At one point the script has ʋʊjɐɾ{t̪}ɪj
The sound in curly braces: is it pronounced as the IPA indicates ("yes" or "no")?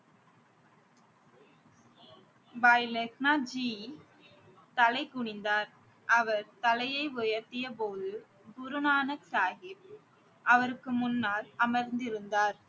yes